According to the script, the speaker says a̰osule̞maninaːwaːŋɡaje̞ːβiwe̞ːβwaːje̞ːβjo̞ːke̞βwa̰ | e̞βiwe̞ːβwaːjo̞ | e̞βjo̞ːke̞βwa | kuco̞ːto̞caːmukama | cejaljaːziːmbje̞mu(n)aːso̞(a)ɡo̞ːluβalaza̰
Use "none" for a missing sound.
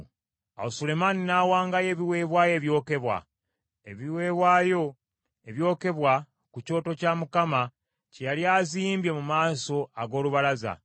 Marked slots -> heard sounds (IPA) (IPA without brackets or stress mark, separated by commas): m, a